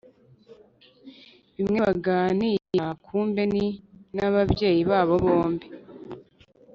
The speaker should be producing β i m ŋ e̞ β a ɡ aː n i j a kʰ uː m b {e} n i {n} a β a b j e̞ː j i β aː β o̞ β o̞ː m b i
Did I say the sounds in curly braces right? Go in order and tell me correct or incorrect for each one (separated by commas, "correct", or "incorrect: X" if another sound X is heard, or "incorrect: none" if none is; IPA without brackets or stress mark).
correct, correct